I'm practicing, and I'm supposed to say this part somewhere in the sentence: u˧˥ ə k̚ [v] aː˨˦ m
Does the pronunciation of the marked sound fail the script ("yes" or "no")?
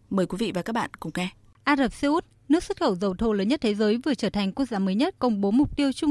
yes